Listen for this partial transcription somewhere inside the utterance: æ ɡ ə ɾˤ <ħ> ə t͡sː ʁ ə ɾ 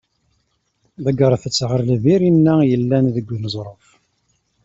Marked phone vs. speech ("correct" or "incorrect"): incorrect